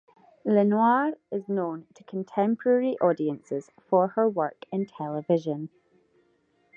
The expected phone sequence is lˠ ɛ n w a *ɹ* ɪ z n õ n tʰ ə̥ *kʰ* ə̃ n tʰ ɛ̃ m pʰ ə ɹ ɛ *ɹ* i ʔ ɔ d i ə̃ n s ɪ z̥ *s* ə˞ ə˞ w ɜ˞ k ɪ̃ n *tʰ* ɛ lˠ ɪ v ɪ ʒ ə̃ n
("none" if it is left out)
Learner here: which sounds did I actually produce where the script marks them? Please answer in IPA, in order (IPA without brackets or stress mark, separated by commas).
ɹ, kʰ, ɹ, f, tʰ